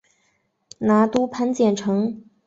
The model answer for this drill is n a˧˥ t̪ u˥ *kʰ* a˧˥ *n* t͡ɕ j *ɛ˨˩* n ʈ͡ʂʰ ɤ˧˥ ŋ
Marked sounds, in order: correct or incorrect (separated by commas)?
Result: incorrect, correct, correct